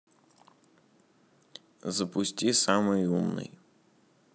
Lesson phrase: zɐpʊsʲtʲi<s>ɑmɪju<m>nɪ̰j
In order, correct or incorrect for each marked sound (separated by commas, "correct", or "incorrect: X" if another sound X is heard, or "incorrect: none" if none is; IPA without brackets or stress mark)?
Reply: correct, correct